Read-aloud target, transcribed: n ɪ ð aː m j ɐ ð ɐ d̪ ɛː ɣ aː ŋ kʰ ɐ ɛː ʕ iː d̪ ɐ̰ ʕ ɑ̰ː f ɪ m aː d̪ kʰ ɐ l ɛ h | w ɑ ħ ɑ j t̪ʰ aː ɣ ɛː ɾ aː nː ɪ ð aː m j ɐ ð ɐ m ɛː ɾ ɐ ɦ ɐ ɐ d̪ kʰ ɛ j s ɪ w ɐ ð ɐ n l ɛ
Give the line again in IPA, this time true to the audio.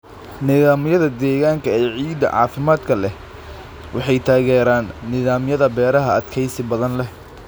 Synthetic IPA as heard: n ɪ ð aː m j ɐ ð ɐ d̪ ɛː ɣ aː ŋ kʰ ɐ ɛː ʕ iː d̪ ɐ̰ ʕ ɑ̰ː f ɪ m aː d̪ kʰ ɐ l ɛ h | w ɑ ħ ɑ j t̪ʰ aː ɣ ɛː ɾ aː nː ɪ ð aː m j ɐ ð ɐ b ɛː ɾ ɐ ɦ ɐ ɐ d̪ kʰ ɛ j s ɪ b ɐ ð ɐ n l ɛ

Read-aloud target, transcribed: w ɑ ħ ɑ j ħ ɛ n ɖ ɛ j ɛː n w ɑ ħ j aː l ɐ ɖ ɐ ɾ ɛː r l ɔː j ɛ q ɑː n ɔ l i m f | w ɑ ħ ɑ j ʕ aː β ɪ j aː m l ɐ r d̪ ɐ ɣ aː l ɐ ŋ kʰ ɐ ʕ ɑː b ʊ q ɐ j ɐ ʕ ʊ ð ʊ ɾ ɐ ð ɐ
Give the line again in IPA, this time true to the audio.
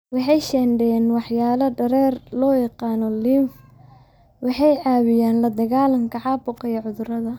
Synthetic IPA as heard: w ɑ ħ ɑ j ʃ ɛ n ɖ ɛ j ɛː n w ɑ ħ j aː l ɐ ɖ ɐ ɾ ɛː r l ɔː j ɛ q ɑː n ɔ l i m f | w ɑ ħ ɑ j ʕ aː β ɪ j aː n l ɐ d̪ ɐ ɣ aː l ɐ ŋ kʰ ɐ ʕ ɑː b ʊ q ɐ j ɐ ʕ ʊ ð ʊ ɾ ɐ ð ɐ

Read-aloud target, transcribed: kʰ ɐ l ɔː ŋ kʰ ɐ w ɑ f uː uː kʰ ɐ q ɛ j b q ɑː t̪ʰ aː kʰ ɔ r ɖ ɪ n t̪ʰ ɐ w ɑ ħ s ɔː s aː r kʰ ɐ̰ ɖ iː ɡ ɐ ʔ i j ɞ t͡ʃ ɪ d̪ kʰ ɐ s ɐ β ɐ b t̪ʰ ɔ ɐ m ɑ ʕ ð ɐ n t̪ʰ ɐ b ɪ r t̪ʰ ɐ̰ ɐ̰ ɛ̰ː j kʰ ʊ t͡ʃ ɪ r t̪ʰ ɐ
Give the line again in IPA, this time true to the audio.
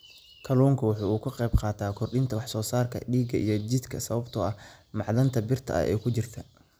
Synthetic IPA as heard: kʰ ɐ l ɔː ŋ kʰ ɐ w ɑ ħ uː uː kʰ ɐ q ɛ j b q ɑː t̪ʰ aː kʰ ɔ r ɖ ɪ n t̪ʰ ɐ w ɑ ħ s ɔː s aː r kʰ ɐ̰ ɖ iː ɡ ɐ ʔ i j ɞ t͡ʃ ɪ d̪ kʰ ɐ s ɐ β ɐ b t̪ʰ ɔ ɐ m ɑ ʕ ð ɐ n t̪ʰ ɐ b ɪ r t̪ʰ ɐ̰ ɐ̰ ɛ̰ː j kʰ ʊ t͡ʃ ɪ r t̪ʰ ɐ

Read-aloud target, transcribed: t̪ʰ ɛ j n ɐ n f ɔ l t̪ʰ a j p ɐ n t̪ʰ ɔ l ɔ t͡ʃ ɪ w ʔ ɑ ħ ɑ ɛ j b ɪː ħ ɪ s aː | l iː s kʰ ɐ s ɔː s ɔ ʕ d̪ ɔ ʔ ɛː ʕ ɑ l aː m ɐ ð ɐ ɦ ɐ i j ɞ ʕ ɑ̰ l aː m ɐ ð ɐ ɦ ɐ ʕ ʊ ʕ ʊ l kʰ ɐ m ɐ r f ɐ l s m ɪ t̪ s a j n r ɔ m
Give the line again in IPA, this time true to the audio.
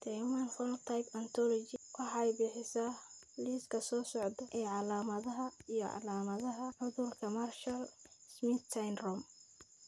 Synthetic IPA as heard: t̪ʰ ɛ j m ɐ n f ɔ l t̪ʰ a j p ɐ n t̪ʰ ɔ l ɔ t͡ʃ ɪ w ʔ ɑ ħ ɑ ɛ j b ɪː ħ ɪ s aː | l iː s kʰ ɐ s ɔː s ɔ ʕ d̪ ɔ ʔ ɛː ʕ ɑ l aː m ɐ ð ɐ ɦ ɐ i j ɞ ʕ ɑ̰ l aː m ɐ ð ɐ ɦ ɐ ʕ ʊ ð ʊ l kʰ ɐ m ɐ r ʃ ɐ l s m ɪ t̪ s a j n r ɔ m

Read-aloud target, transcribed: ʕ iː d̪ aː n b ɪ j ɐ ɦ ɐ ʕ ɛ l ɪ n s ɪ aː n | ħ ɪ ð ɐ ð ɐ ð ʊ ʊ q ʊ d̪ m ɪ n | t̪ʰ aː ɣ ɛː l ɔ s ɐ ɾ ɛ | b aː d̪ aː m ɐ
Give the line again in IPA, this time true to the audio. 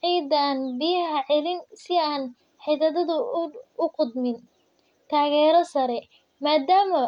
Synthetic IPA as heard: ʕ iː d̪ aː n b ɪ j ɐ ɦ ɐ ʕ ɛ l ɪ n s ɪ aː n | ħ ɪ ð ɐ ð ɐ ð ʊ ʊ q ʊ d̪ m ɪ n | t̪ʰ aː ɣ ɛː ɾ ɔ s ɐ ɾ ɛ | m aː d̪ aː m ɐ

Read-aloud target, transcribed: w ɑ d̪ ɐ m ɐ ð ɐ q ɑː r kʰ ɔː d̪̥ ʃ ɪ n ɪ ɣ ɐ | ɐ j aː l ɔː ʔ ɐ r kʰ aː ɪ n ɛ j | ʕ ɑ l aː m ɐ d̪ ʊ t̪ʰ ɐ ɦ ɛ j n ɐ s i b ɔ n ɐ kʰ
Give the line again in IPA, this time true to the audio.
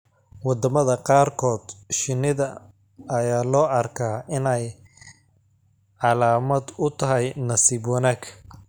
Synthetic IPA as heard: w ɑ d̪ ɐ m ɐ ð ɐ q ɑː r kʰ ɔː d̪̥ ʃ ɪ n ɪ ð ɐ | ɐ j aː l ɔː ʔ ɐ r kʰ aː ɪ n ɛ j | ʕ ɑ l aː m ɐ d̪ ʊ t̪ʰ ɐ ɦ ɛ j n ɐ s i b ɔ n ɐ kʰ

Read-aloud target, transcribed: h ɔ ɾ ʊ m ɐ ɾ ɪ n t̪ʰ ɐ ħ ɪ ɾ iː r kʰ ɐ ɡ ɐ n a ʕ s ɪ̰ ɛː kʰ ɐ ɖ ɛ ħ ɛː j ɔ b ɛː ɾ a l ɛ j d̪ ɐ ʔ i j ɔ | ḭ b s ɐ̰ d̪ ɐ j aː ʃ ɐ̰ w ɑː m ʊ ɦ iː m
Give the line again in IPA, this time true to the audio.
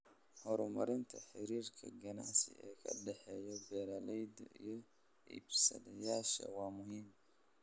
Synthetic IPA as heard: h ɔ ɾ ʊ m ɐ ɾ ɪ n t̪ʰ ɐ ħ ɪ ɾ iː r kʰ ɐ ɡ ɐ n a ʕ s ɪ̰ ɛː kʰ ɐ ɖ ɛ ħ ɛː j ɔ b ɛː ɾ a l ɛ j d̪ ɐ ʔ i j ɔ | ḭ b s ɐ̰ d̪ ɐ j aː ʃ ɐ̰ w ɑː m ʊ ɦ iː m

